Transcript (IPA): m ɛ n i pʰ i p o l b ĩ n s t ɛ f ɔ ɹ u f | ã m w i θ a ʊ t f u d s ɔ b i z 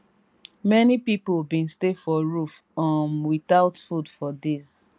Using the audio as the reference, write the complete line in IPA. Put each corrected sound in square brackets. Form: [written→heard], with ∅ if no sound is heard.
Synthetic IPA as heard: m ɛ n i [pʰ→p] i p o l b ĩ n s t [ɛ→e] f ɔ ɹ u f | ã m w i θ a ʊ t f u d [s→f] ɔ [b→d] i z